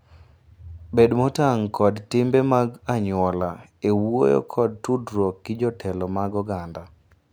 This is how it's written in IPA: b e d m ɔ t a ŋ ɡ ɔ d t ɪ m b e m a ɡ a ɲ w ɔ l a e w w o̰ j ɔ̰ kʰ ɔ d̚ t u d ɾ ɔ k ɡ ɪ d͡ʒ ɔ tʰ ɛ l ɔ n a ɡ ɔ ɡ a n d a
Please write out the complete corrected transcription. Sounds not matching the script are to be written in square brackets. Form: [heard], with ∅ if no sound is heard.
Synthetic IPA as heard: b e d m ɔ t a ŋ [k] ɔ d t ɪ m b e m a ɡ a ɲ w ɔ l a e w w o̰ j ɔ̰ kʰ ɔ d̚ t u d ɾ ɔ k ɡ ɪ d͡ʒ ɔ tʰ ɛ l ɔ [m] a ɡ ɔ ɡ a n d a